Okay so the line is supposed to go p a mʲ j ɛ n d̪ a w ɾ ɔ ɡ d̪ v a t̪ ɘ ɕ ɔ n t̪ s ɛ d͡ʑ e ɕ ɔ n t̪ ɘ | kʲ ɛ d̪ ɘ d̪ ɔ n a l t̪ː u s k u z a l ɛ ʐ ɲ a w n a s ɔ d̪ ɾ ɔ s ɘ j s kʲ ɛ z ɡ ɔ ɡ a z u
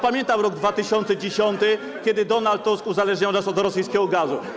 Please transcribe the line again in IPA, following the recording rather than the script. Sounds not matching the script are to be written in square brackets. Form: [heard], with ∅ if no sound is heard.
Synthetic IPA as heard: p a mʲ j ɛ n [t̪] a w ɾ ɔ ɡ d̪ v a t̪ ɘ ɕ ɔ n t̪ s ɛ d͡ʑ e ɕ ɔ n t̪ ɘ | kʲ ɛ d̪ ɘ d̪ ɔ n a l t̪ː u s k u z a l ɛ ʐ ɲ a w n a s ɔ d̪ ɾ ɔ s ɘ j s kʲ ɛ [∅] ɡ ɔ ɡ a z u